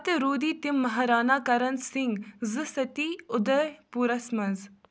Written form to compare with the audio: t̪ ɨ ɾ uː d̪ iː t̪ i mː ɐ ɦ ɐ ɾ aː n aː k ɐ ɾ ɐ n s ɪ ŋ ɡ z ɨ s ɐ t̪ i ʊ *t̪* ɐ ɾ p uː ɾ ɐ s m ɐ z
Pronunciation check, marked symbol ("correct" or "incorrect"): incorrect